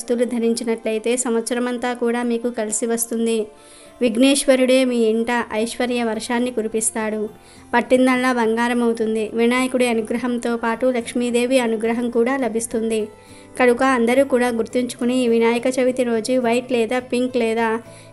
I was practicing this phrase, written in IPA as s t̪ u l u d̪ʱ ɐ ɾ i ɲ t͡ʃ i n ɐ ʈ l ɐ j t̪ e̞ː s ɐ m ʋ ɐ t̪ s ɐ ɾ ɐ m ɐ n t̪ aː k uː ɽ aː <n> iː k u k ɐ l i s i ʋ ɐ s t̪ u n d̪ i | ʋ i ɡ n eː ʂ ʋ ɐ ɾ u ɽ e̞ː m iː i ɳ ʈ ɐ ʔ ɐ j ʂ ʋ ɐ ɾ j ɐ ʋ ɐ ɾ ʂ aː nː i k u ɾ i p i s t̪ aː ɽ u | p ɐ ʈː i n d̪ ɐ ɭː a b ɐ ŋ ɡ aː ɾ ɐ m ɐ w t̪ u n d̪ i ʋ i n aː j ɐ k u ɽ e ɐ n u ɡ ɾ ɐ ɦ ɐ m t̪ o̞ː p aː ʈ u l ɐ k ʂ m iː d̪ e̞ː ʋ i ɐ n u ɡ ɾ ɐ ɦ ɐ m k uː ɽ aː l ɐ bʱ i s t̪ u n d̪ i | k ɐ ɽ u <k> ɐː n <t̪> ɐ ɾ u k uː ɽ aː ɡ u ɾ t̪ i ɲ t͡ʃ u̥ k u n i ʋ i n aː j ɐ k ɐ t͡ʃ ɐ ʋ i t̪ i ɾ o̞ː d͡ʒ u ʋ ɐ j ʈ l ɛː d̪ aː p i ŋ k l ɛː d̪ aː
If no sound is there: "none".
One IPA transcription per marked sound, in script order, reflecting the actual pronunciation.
m, k, d̪

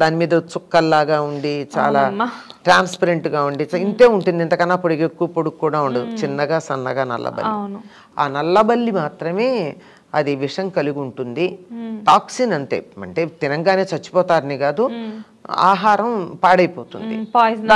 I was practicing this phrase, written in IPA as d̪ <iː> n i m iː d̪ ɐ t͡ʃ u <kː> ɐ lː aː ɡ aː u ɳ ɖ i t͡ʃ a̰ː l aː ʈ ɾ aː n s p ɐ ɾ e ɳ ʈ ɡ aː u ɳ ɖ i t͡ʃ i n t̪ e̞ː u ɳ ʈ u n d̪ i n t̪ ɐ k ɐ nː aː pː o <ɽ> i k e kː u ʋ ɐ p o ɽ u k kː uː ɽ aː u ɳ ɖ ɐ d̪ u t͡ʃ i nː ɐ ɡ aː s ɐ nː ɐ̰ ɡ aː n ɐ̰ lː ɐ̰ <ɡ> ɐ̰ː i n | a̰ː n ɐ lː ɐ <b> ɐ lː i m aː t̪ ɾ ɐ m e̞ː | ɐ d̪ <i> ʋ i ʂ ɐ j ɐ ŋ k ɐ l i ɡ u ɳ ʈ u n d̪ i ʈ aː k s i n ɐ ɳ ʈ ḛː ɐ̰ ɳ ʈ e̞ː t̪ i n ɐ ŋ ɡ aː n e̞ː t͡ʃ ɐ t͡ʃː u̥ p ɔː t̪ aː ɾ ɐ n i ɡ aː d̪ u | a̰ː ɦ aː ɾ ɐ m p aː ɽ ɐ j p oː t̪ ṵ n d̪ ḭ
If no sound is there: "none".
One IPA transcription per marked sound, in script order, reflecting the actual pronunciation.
aː, kː, ɽ, b, b, i

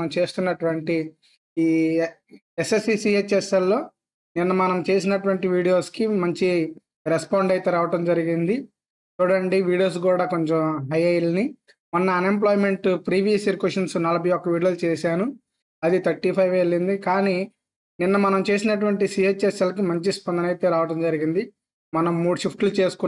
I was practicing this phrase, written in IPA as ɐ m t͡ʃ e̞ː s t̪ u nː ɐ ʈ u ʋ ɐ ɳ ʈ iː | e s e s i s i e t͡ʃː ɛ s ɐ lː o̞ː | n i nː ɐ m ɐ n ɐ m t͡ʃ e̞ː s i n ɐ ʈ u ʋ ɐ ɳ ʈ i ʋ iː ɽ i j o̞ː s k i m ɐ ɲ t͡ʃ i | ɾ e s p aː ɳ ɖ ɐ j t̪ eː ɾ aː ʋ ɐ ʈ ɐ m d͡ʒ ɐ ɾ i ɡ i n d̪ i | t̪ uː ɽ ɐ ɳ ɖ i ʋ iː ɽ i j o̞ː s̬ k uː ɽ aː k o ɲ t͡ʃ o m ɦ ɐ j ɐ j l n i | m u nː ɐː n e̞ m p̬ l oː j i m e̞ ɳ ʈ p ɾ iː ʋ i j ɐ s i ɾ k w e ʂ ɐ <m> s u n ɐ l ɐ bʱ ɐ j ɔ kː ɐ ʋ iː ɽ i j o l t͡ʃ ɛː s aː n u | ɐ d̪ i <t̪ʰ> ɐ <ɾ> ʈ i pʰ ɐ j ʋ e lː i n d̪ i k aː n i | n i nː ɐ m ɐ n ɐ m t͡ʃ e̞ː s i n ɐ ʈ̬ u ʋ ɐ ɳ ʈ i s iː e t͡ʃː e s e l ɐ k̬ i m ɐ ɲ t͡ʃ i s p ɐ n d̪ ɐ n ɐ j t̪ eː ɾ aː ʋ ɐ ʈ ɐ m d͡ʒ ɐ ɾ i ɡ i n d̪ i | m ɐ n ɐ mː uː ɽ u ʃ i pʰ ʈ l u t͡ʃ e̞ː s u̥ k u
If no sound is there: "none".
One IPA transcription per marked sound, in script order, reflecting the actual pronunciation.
n, t̪ʰ, ɾ

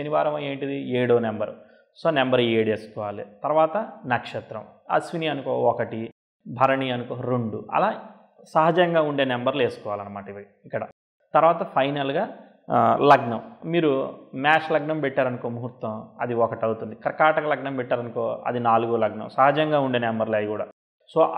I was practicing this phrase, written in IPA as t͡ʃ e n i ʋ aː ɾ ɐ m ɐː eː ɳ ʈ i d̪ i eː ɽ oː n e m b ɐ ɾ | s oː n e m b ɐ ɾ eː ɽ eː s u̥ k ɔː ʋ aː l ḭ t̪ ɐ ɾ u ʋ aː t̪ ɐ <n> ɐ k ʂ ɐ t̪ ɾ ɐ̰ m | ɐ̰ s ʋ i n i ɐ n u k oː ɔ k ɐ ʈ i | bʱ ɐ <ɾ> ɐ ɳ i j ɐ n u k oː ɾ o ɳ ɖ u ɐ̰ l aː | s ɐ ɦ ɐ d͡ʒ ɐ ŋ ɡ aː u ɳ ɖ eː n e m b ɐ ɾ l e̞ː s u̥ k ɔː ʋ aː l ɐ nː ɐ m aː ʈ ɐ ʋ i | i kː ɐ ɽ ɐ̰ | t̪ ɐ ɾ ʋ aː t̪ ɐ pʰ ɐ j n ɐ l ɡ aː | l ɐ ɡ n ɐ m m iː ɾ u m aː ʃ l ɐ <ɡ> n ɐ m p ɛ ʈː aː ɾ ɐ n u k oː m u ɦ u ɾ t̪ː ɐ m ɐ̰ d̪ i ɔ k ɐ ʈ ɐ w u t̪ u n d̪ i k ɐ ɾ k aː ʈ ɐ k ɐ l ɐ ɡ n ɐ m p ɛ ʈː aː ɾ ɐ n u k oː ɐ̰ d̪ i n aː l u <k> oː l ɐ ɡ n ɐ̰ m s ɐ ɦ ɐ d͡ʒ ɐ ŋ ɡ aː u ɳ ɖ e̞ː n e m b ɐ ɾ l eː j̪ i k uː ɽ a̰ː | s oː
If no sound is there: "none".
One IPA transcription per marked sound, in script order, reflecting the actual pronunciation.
n, ɾ, ɡ, ɡ

